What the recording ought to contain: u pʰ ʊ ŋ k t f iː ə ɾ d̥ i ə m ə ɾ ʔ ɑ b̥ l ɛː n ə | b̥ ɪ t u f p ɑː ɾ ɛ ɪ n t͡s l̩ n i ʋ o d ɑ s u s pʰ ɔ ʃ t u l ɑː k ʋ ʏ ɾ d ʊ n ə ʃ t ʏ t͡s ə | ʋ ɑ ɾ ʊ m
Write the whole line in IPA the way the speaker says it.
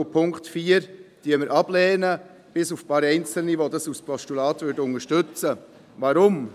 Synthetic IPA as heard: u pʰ ʊ ŋ k t f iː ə ɾ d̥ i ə m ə ɾ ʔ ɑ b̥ l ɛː n ə | b̥ ɪ s u f p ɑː ɾ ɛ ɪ n t͡s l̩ n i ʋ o d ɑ s u s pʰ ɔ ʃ t u l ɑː t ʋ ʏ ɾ d ʊ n ə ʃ t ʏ t͡s ə | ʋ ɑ ɾ ʊ m